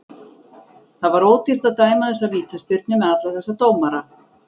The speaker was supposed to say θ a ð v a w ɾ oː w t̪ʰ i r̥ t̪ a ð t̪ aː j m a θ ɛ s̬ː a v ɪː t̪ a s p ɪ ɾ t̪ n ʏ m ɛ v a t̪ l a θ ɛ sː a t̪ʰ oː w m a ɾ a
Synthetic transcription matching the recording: θ a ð v a ɾ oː w t̪ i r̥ t̪ a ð t̪ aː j m a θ ɛ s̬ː a v iː t̪ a s p ɪ ɾ t̪ n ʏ m ɛ ð a t̪ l a θ ɛ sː a t̪ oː w m a ɾ a